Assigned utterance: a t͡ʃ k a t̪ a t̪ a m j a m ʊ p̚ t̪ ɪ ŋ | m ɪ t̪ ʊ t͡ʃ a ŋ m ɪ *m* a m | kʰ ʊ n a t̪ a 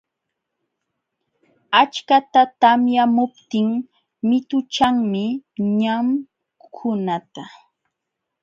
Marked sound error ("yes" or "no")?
yes